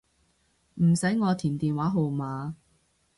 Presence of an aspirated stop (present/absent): present